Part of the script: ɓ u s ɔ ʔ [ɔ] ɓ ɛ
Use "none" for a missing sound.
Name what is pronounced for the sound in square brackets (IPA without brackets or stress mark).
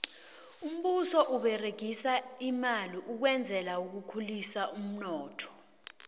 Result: u